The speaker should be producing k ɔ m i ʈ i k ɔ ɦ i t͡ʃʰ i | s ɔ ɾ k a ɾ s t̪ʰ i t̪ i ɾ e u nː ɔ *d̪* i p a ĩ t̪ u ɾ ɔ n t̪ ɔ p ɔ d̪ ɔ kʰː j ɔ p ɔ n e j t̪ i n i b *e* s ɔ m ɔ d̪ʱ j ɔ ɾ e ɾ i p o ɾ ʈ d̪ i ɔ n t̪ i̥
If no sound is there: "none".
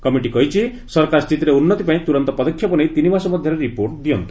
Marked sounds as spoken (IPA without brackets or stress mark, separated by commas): t̪, a